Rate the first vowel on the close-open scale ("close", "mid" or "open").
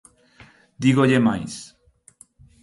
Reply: close